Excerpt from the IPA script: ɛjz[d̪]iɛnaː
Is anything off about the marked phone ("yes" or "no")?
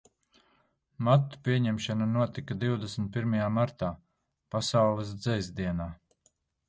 no